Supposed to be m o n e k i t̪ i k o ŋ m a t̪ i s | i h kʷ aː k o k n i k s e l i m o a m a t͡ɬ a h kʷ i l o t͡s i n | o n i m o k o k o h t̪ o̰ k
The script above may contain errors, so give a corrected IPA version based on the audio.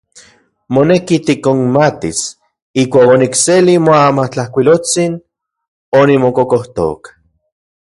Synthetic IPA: m o n e k i t̪ i k o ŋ m a t̪ i s | i h kʷ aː k o n i k s e l i m o a m a t͡ɬ a h kʷ i l o t͡s i n | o n i m o k o k o h t̪ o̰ k